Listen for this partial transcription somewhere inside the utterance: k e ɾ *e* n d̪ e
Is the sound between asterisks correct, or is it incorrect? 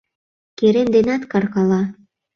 correct